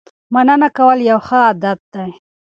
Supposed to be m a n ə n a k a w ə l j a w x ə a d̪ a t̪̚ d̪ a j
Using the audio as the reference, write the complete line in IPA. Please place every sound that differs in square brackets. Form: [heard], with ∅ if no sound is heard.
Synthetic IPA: m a n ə n a k a w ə l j a w x ə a d̪ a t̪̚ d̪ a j